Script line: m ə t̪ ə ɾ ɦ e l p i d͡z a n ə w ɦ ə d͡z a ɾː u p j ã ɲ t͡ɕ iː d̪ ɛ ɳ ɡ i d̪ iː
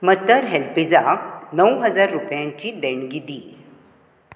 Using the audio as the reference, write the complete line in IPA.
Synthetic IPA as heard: m ə t̪ ə ɾ ɦ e l p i d͡z a n ə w ɦ ə d͡z a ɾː u p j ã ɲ t͡ɕ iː d̪ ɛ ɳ ɡ i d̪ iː